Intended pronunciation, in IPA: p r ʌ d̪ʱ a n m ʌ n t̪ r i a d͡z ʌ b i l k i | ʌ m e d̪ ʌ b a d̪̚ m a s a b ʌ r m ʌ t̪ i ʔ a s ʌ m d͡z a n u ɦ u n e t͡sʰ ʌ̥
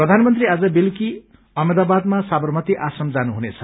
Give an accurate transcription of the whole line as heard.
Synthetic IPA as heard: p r ʌ d̪ʱ a n m ʌ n t̪ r i a d͡z ʌ b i l k i | ʌ m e d̪ a b a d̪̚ m a s a b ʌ r m ʌ t̪ i ʔ a s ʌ m d͡z a n u ɦ u n e t͡sʰ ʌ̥